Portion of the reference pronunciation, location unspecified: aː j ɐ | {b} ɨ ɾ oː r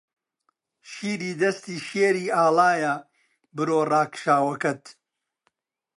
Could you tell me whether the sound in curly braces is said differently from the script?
no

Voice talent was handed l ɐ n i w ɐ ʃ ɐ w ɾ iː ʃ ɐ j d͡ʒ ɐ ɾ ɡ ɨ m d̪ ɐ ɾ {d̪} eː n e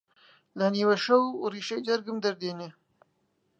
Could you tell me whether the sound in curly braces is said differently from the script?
no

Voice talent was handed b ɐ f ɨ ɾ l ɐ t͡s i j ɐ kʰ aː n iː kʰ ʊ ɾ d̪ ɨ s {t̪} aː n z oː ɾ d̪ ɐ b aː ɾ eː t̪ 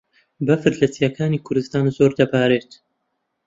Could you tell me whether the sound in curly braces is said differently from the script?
no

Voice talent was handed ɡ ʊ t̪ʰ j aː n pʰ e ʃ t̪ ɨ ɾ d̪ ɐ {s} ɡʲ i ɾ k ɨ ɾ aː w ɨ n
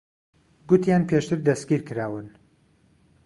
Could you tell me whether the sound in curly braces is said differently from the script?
no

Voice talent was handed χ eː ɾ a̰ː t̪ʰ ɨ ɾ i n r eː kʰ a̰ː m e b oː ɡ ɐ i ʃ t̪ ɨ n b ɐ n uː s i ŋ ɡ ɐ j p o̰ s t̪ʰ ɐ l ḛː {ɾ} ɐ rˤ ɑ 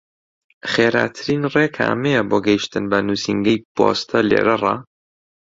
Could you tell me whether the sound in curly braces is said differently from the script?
no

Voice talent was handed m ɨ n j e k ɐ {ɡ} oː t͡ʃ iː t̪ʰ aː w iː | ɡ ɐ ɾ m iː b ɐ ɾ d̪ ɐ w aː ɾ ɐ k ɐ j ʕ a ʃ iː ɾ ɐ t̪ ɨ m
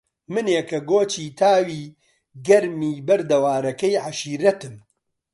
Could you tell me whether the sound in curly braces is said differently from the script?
no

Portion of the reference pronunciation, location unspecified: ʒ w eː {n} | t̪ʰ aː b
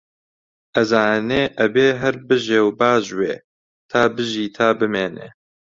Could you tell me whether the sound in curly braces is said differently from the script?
yes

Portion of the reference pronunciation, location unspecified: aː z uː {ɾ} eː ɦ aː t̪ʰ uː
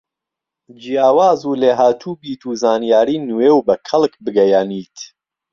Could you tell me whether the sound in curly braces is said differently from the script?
yes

